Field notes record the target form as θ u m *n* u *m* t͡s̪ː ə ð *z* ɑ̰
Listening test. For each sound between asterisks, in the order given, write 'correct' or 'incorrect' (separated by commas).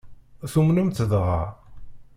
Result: correct, correct, incorrect